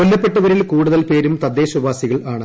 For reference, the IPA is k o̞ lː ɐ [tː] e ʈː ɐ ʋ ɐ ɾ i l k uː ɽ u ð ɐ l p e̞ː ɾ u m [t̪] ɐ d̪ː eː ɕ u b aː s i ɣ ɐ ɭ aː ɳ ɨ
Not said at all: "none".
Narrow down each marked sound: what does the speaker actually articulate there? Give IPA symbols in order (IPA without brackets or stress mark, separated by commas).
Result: pː, t̪